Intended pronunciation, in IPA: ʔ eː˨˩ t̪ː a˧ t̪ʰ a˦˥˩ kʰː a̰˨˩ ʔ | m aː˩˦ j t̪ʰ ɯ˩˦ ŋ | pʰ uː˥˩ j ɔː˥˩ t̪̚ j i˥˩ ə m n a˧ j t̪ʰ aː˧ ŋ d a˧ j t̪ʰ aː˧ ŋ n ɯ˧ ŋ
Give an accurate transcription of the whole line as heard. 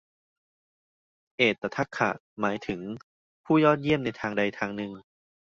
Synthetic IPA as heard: ʔ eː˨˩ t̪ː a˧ t̪ʰ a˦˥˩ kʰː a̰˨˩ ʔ | m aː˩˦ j t̪ʰ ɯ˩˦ ŋ | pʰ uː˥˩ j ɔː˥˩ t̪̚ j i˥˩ ə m n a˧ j t̪ʰ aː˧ ŋ d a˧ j t̪ʰ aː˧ ŋ n ɯ˧ ŋ